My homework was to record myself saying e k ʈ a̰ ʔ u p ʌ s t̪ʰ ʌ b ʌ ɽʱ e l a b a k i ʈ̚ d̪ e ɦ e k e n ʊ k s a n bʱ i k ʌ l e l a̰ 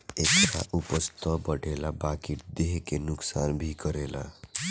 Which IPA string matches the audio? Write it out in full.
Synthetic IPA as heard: e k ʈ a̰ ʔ u p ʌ s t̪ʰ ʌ b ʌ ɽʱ e l a b a k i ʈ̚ d̪ e ɦ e k e n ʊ k s a n bʱ i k ʌ ɾ e l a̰